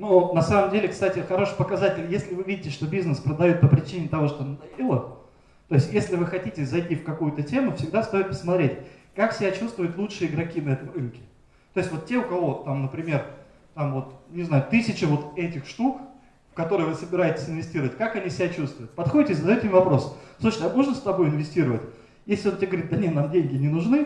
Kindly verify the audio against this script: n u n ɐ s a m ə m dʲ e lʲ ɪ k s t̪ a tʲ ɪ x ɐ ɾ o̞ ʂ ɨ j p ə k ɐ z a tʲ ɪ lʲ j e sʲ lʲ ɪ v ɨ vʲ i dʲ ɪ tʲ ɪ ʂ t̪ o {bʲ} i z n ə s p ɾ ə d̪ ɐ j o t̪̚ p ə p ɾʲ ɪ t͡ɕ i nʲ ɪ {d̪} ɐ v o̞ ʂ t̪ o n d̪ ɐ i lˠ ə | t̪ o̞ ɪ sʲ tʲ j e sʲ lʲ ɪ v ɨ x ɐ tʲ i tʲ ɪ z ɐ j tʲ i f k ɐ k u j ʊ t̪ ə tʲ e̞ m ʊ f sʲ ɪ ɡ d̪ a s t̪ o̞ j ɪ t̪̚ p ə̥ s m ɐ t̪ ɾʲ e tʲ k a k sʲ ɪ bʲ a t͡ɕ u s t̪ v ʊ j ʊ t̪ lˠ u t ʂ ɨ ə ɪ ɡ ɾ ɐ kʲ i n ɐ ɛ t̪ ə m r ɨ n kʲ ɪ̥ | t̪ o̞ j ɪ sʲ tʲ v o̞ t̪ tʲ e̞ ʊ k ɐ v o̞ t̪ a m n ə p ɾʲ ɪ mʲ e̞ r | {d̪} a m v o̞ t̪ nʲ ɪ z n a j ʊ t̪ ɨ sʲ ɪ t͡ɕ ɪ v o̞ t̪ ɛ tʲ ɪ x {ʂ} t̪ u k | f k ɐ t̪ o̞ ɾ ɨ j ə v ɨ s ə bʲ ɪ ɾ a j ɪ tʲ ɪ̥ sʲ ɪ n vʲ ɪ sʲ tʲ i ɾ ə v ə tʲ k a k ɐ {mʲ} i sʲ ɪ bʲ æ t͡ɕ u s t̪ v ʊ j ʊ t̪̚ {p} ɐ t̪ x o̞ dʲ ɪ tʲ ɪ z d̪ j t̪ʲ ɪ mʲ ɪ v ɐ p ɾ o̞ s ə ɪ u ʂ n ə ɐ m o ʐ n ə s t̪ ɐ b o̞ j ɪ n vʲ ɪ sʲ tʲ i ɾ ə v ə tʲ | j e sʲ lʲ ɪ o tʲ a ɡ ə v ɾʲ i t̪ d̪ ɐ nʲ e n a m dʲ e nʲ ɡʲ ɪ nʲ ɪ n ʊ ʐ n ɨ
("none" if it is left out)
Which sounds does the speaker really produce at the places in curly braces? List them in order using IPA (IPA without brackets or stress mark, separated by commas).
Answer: bʲ, t̪, t̪, ʂ, nʲ, p